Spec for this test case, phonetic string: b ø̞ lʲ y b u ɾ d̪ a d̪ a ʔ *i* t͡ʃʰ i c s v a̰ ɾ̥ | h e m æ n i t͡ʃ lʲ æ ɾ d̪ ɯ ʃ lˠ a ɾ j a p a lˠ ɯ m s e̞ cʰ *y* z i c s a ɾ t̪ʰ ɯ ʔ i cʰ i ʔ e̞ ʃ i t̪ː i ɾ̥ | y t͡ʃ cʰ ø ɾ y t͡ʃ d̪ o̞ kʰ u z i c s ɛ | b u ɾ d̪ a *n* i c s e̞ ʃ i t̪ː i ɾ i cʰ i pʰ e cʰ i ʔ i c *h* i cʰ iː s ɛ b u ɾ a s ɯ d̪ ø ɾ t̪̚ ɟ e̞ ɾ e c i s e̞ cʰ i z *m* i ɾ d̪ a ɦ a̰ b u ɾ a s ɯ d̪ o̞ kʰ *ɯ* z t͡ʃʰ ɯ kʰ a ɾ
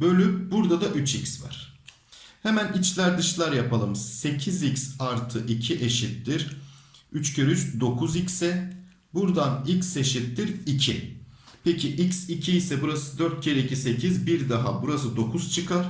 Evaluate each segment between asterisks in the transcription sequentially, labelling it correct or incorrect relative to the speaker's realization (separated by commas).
incorrect, incorrect, correct, incorrect, incorrect, incorrect